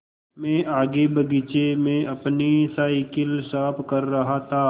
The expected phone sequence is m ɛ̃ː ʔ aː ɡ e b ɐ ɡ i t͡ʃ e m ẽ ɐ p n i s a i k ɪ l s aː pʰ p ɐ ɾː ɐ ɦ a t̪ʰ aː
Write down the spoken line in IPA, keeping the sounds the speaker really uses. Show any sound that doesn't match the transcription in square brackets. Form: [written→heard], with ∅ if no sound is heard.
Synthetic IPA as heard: m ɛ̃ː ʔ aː ɡ e b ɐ ɡ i t͡ʃ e m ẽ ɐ p n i s a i k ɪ l s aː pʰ [p→k] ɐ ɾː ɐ ɦ a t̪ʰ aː